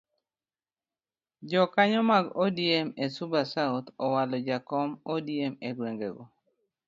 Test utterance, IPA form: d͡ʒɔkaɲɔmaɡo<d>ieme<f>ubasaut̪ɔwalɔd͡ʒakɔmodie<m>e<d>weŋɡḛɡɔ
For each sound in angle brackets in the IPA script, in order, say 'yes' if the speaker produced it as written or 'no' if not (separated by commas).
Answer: yes, no, yes, no